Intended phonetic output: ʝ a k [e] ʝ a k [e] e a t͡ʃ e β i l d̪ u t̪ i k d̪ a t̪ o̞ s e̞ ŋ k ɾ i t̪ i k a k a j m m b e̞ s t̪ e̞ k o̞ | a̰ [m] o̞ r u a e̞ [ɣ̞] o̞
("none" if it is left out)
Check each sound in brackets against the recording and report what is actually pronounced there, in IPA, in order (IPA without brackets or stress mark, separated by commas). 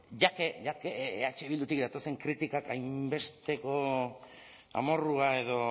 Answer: e, e, m, ð̞